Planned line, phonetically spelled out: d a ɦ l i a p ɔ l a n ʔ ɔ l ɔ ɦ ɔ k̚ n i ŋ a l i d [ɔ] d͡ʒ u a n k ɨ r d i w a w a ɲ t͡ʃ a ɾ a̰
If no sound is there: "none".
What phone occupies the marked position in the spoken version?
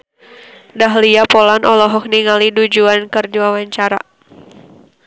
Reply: u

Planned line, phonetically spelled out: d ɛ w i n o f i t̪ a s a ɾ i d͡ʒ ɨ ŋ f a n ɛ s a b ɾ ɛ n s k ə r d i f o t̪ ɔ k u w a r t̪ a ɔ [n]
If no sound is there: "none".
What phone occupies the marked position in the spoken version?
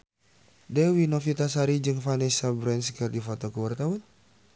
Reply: n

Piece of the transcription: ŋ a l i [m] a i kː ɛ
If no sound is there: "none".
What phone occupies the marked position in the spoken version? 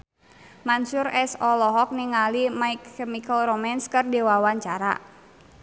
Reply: m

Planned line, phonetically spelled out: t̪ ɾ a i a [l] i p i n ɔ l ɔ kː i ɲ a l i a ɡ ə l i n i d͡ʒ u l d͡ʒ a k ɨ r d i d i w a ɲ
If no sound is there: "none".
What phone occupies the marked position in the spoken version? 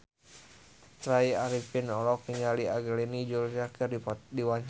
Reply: ɾ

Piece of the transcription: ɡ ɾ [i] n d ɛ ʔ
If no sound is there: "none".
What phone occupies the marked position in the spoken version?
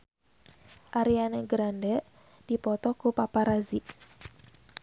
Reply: a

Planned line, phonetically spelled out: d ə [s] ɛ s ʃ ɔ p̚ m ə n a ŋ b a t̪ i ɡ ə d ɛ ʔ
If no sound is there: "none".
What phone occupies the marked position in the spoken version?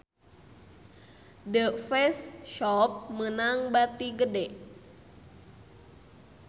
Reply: f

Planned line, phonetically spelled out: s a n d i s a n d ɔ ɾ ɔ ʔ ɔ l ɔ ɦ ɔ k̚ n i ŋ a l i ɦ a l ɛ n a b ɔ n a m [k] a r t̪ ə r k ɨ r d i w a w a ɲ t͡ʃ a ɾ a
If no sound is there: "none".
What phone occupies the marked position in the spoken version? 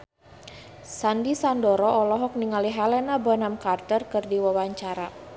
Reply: k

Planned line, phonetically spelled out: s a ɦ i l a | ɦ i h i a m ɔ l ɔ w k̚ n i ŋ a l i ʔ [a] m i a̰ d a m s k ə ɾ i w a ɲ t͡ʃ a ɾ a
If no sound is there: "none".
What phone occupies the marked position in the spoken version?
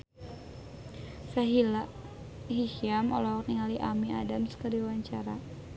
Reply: a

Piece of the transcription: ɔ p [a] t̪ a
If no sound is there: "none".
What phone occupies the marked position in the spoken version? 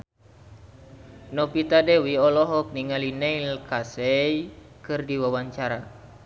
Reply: i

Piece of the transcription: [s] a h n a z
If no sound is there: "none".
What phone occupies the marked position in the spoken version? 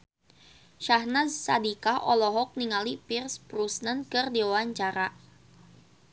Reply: ʃ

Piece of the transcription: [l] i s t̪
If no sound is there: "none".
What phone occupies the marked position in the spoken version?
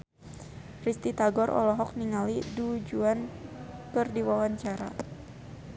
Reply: r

